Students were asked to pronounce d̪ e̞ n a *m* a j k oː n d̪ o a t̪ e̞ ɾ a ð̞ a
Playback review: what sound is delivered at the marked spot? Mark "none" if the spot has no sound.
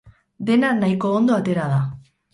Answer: n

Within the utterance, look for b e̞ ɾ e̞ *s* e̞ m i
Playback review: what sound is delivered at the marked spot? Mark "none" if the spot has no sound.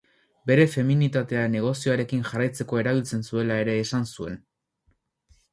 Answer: f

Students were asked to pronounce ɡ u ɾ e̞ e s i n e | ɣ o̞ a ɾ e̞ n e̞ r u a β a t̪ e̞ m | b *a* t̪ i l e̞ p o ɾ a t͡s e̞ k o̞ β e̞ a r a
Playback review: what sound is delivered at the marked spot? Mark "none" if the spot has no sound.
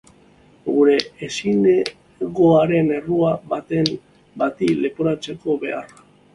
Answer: a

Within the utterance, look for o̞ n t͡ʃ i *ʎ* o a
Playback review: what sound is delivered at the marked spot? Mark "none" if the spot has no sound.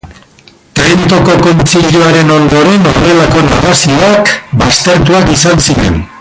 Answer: ʎ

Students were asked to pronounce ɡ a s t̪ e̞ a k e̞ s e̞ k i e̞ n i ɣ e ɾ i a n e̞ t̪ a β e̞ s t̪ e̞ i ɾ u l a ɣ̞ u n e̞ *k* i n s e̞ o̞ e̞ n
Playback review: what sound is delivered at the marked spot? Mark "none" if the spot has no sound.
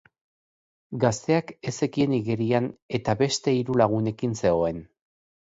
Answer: k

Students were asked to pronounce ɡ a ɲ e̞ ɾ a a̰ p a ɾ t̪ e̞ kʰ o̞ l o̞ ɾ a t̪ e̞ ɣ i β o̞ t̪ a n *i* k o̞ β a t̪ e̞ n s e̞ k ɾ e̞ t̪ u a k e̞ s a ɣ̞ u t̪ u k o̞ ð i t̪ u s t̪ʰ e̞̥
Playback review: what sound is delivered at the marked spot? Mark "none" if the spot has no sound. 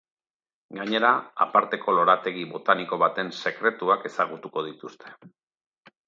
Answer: i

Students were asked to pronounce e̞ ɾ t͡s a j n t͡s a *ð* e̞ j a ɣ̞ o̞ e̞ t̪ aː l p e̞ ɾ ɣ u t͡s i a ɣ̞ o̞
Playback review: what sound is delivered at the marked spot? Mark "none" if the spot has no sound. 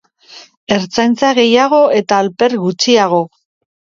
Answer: ɣ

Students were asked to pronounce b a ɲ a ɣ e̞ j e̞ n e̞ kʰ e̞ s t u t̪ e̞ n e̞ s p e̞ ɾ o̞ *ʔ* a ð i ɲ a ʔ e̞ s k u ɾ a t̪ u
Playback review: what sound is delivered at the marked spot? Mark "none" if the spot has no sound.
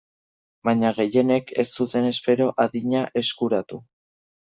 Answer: ʔ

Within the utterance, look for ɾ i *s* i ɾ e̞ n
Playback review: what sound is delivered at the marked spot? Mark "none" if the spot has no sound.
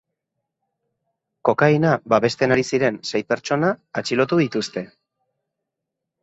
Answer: s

